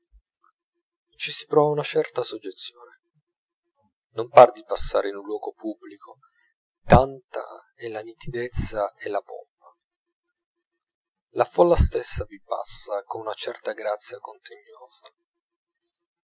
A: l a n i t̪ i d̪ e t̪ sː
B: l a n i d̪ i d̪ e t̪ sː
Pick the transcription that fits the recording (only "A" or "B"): A